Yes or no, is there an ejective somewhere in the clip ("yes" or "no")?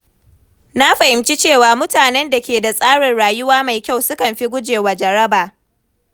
yes